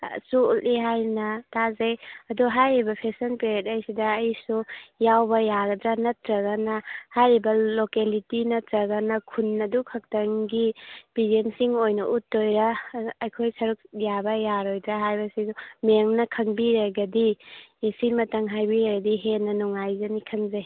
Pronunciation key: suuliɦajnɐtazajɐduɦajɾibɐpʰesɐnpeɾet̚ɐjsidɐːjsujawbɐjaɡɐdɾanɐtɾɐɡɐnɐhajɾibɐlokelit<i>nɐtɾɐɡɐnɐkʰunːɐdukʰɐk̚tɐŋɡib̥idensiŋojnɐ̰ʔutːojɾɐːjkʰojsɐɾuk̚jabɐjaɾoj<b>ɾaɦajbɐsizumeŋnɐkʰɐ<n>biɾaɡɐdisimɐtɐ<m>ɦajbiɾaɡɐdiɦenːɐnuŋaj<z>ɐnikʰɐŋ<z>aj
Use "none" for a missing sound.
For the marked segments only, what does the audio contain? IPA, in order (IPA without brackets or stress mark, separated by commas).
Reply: i, d, ŋ, ŋ, z, z